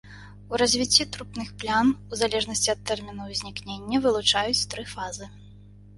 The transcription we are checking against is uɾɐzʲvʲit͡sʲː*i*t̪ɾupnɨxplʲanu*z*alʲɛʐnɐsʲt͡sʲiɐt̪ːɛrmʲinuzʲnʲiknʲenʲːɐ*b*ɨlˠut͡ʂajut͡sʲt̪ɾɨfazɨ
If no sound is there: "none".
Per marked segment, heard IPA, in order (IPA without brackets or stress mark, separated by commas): i, z, v